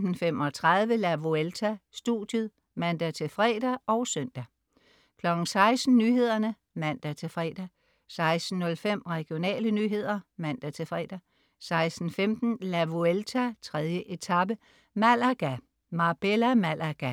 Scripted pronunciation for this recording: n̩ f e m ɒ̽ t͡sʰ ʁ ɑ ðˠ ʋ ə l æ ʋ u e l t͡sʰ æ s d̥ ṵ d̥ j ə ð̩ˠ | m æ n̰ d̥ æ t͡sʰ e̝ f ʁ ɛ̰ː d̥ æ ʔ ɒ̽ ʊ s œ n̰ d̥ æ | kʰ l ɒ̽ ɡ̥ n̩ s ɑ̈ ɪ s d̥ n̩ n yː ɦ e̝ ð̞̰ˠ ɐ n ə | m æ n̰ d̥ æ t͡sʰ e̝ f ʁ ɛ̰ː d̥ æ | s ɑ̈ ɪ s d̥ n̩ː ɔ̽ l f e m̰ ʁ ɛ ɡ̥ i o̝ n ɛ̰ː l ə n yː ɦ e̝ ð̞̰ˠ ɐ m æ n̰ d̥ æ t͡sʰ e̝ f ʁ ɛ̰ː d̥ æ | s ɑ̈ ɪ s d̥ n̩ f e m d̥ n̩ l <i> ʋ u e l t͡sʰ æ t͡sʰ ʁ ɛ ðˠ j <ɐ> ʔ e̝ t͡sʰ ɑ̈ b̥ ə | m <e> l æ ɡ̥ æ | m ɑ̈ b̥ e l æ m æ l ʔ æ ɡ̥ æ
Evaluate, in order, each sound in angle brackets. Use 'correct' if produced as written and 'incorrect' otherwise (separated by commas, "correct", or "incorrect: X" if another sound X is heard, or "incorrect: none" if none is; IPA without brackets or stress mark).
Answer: incorrect: æ, incorrect: ə, incorrect: æ